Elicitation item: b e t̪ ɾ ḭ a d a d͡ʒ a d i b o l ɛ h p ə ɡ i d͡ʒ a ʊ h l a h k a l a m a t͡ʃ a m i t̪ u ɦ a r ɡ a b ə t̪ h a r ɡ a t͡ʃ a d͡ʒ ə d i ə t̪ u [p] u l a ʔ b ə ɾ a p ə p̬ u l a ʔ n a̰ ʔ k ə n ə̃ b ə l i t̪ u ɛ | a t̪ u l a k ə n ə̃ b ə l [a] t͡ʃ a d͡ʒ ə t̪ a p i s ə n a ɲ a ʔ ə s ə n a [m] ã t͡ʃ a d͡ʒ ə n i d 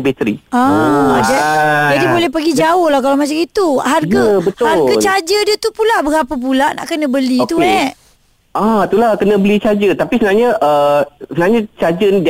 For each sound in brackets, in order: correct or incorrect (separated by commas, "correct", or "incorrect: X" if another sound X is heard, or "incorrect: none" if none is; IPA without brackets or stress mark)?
correct, incorrect: i, incorrect: ɲ